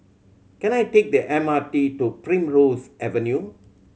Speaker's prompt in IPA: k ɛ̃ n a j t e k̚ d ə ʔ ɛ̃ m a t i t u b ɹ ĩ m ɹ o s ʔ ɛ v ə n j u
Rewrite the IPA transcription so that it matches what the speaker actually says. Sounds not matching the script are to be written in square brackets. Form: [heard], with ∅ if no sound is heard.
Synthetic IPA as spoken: k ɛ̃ n a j t e k̚ d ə ʔ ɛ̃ m a t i t u [p] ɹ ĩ m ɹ o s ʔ ɛ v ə n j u